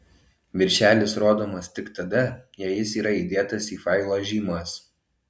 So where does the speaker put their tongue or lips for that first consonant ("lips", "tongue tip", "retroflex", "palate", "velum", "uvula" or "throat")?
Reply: lips